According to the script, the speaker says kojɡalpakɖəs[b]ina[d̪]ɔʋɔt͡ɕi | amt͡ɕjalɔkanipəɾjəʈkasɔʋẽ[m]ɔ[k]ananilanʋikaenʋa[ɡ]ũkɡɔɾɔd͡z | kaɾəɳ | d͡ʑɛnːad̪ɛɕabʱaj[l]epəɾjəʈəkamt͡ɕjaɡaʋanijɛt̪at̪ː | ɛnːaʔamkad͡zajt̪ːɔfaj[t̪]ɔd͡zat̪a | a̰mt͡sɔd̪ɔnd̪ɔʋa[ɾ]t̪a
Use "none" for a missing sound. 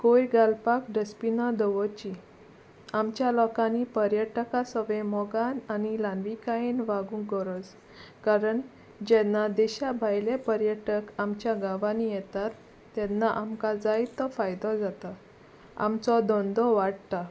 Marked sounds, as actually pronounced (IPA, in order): p, d̪, m, ɡ, ɡ, l, d̪, ɽ

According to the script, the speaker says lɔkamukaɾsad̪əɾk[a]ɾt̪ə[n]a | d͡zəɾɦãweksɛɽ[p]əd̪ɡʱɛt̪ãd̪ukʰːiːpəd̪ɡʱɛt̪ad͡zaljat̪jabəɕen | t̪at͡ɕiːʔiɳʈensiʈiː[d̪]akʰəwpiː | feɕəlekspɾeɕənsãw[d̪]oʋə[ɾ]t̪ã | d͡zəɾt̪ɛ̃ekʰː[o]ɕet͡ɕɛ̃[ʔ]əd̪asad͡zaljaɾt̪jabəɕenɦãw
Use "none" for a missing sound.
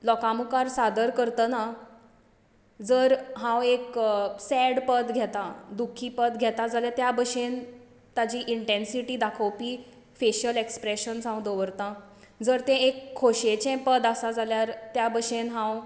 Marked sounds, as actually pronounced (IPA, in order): ə, n, p, d̪, d̪, ɾ, o, p

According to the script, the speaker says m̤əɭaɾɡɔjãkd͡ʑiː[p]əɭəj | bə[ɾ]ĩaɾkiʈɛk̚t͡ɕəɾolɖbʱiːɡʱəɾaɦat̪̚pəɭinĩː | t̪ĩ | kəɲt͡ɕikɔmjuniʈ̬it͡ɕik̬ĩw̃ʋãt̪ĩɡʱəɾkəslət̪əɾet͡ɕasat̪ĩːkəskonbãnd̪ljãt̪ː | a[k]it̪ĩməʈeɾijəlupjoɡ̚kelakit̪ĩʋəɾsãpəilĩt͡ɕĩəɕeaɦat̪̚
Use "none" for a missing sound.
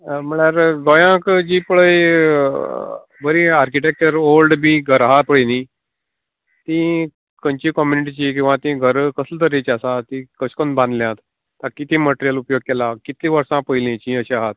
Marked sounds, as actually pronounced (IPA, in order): p, ɾ, k

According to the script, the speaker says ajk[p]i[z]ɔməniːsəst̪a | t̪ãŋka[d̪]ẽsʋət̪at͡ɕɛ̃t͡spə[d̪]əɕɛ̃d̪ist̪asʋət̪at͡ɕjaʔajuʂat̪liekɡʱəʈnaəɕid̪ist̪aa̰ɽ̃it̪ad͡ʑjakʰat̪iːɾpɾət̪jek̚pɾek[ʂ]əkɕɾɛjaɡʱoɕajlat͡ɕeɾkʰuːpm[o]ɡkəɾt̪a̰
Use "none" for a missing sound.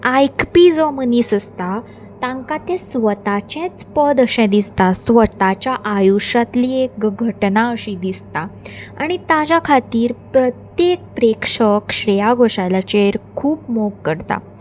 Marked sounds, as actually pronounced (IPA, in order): p, d͡z, t̪, d̪, ʂ, o

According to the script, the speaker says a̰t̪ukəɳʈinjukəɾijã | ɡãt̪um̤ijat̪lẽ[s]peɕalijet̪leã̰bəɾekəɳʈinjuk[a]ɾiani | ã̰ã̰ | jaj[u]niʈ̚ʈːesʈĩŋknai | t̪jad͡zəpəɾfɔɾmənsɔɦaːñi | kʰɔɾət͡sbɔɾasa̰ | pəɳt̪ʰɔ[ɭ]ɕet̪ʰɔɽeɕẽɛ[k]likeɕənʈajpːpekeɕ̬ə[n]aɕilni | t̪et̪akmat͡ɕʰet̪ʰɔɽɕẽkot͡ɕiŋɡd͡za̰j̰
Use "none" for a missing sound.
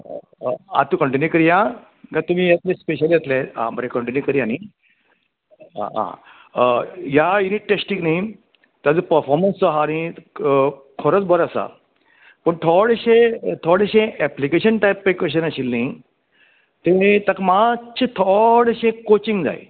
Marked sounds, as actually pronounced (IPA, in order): s, ə, u, ɽ, p, n

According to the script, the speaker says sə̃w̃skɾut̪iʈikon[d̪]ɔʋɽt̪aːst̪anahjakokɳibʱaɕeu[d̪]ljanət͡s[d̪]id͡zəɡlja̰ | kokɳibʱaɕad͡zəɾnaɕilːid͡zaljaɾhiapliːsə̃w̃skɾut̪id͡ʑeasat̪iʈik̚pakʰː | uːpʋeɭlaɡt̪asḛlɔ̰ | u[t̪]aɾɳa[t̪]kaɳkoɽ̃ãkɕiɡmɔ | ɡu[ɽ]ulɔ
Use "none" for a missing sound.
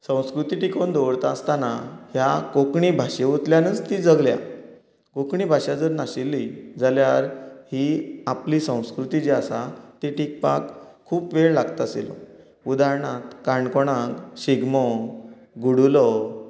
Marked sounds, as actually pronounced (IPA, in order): d̪, t̪, t̪, d̪, t̪, ɽ

